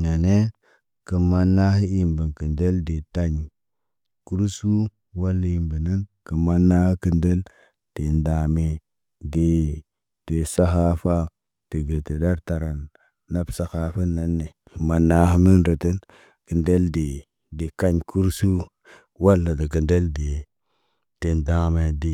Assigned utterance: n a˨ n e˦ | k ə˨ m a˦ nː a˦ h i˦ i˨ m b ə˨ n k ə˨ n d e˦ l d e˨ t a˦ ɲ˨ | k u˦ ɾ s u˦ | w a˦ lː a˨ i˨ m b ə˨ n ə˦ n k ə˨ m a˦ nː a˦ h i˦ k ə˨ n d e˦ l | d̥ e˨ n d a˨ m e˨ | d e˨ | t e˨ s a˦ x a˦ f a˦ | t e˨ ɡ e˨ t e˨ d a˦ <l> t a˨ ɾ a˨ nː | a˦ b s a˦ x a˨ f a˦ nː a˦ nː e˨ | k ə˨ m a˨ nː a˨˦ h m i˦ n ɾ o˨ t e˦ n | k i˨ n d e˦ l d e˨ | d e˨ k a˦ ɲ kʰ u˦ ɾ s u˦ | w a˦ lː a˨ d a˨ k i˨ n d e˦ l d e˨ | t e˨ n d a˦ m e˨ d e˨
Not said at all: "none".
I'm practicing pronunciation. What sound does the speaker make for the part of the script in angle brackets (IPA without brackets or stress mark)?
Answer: ɾ